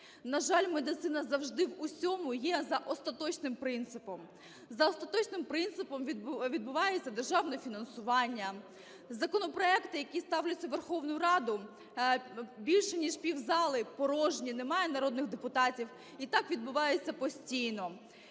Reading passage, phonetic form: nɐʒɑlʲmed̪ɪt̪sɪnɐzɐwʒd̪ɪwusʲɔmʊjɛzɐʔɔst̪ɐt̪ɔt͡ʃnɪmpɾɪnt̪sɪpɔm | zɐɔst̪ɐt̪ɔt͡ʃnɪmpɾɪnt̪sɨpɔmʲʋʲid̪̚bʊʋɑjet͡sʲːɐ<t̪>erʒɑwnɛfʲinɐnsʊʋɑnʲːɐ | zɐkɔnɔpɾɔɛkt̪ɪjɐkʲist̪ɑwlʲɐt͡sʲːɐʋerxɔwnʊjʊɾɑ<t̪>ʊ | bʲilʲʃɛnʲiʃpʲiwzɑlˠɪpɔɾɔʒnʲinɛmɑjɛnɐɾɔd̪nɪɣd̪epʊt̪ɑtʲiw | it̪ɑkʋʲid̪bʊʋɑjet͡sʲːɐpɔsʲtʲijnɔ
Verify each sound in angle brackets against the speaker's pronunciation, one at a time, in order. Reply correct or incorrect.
incorrect, incorrect

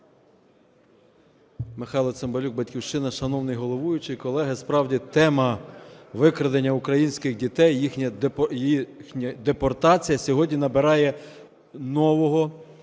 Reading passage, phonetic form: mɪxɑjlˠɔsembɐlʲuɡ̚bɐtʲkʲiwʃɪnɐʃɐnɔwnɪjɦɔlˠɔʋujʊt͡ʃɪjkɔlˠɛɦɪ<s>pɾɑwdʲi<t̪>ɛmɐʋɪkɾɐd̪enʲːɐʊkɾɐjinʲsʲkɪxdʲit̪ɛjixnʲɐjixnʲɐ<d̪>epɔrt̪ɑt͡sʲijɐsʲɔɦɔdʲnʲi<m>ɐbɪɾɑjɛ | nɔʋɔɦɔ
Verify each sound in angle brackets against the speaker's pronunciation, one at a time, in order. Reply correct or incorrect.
correct, correct, correct, incorrect

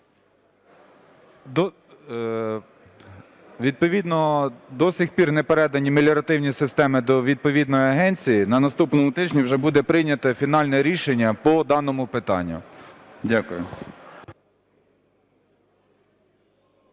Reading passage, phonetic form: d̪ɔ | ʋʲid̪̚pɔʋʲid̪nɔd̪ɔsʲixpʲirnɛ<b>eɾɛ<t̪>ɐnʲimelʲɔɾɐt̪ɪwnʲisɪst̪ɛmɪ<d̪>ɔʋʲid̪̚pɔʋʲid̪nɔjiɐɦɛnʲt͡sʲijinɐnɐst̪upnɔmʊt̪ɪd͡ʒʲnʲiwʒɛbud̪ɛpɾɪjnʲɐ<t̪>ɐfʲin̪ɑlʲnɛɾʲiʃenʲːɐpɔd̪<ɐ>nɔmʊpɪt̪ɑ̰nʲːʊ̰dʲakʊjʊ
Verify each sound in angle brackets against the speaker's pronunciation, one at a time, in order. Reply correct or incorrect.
incorrect, incorrect, correct, correct, incorrect

